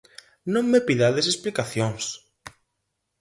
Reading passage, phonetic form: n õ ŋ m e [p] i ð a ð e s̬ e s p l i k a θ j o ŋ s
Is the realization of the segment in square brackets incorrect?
no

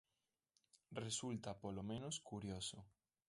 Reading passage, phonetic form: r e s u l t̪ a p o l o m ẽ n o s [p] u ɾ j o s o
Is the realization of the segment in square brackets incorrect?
yes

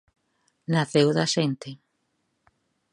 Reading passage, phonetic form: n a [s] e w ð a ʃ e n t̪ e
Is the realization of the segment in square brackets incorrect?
yes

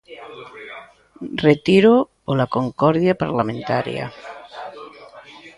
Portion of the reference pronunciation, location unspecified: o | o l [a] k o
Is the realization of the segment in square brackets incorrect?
no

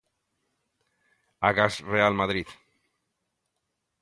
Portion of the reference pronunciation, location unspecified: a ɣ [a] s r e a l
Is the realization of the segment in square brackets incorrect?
no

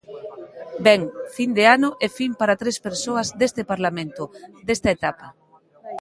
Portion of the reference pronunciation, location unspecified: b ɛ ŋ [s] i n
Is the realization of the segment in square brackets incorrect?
yes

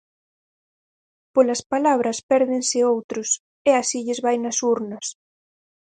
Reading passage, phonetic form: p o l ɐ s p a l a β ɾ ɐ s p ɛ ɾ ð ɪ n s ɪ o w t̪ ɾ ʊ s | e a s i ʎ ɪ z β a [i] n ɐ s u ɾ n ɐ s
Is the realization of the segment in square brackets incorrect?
yes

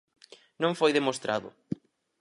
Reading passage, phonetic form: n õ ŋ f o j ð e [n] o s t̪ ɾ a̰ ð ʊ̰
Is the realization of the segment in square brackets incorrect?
yes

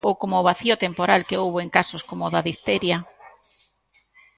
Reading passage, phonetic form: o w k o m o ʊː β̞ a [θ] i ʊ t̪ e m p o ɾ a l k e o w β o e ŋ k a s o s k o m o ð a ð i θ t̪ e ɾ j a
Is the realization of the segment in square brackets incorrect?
no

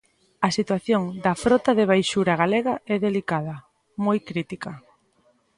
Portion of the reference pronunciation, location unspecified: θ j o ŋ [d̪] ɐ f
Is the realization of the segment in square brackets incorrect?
no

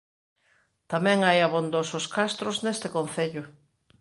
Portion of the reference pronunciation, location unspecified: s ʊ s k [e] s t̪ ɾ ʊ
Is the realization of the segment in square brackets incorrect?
yes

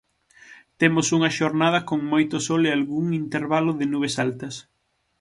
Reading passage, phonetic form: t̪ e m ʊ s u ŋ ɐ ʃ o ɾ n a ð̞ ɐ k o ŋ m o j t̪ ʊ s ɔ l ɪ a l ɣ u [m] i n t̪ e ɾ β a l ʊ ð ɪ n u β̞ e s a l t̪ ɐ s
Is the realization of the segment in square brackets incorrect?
yes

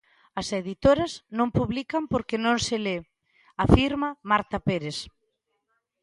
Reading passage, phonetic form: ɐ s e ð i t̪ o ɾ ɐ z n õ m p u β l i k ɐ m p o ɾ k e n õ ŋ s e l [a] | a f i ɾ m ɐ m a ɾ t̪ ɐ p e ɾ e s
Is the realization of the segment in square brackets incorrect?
yes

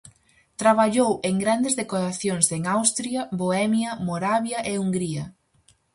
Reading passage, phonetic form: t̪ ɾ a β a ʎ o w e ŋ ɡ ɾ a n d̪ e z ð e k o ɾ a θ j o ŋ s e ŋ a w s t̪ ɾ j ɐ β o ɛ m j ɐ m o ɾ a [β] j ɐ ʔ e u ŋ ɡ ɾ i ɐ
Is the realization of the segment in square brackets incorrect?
no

